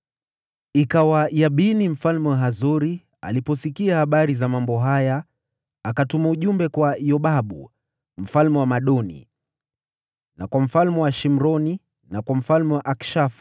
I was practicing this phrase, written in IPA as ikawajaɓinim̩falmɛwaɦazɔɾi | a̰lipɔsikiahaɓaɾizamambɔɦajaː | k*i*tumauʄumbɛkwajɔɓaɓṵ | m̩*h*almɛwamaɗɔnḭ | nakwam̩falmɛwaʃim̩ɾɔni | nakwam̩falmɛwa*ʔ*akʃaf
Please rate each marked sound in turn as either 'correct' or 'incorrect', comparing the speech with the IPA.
incorrect, incorrect, correct

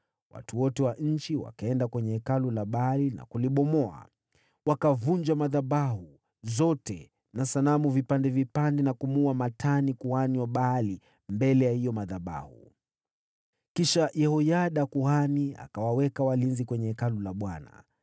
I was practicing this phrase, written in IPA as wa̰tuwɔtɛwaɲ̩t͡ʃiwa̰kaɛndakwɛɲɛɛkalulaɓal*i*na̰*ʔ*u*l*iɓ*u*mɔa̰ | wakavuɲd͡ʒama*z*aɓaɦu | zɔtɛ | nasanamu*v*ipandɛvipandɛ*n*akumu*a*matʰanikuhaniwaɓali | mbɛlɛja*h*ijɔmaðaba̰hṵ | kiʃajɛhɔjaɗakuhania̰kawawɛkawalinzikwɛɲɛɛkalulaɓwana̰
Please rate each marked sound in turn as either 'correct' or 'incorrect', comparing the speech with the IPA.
correct, incorrect, correct, incorrect, incorrect, correct, correct, correct, correct

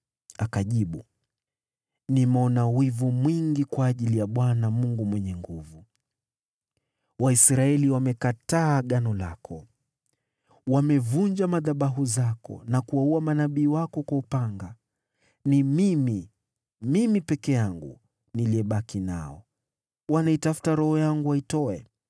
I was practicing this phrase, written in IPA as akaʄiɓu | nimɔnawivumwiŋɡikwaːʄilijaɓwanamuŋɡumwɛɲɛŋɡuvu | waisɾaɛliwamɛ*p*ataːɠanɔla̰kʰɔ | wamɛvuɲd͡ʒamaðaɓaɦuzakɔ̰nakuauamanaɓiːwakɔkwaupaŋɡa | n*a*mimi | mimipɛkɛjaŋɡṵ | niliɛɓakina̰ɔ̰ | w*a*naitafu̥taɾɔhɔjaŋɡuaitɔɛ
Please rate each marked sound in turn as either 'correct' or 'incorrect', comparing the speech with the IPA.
incorrect, incorrect, correct

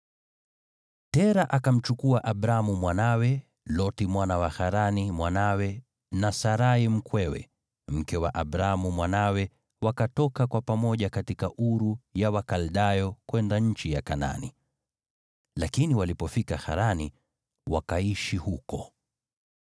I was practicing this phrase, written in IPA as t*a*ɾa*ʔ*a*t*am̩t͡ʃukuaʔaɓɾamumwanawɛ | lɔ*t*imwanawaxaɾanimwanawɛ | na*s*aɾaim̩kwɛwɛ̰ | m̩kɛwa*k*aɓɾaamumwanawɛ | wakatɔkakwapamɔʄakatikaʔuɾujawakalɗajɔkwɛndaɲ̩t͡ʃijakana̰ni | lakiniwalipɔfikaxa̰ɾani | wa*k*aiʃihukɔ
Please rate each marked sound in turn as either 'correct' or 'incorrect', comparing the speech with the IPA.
incorrect, correct, incorrect, correct, correct, incorrect, correct

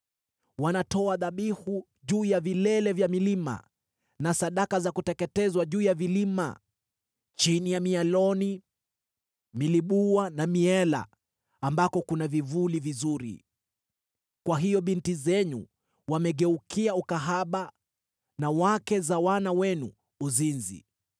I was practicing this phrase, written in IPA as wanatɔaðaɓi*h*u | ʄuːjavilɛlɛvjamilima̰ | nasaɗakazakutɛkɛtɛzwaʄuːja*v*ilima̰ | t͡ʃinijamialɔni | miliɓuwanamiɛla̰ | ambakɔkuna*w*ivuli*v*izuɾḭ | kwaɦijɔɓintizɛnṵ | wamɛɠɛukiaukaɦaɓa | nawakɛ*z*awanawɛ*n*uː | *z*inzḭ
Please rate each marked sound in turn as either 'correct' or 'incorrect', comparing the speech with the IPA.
correct, correct, incorrect, correct, correct, correct, correct

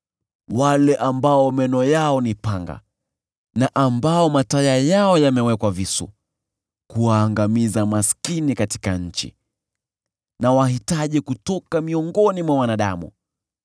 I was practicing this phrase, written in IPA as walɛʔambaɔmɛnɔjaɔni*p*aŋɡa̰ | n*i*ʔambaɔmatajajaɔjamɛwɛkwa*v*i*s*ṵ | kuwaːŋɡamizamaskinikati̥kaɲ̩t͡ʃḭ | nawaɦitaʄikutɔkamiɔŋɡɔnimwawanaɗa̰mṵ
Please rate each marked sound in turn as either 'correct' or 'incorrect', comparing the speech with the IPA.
correct, incorrect, correct, correct

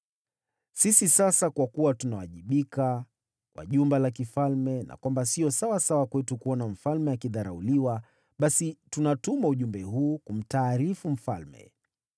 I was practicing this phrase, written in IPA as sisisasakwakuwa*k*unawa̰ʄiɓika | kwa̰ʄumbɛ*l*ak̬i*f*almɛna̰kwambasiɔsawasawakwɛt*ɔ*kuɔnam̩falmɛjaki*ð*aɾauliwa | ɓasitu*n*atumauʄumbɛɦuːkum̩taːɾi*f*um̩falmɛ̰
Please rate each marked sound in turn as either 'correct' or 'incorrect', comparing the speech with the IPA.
incorrect, correct, correct, incorrect, correct, correct, correct

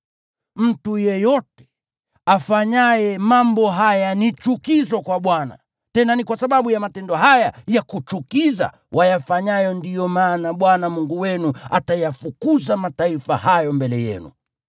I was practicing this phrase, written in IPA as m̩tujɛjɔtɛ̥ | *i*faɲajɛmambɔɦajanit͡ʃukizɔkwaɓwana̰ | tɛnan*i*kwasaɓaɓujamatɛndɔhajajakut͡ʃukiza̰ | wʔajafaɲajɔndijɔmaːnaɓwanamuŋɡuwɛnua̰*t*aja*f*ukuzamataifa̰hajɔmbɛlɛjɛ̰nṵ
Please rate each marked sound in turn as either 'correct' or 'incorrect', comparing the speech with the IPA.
incorrect, correct, correct, correct

